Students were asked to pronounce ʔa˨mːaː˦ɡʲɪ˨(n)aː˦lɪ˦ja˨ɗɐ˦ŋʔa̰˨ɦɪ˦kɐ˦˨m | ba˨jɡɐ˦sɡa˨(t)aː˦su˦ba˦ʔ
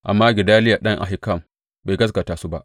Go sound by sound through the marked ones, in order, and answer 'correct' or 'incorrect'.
incorrect, correct

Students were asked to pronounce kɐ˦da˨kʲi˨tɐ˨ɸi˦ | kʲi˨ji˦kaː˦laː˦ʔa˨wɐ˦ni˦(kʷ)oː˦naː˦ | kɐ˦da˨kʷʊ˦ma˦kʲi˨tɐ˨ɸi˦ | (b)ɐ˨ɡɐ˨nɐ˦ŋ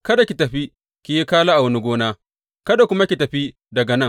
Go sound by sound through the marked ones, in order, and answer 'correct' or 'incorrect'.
incorrect, incorrect

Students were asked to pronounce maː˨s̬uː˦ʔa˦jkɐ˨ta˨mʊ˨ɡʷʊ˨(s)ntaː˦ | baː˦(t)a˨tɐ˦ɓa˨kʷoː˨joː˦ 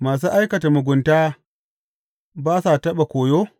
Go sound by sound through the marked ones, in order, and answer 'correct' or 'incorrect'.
incorrect, incorrect

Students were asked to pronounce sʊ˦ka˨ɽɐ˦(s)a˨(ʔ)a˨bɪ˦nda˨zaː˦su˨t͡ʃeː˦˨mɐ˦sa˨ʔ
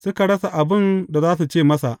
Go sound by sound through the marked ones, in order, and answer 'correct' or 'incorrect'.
correct, correct

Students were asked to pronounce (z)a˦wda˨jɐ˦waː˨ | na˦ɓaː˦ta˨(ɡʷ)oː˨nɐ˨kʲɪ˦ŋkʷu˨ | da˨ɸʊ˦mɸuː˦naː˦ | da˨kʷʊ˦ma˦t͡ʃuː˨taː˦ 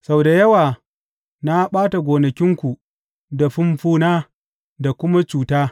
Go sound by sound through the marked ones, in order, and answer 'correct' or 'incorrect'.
incorrect, correct

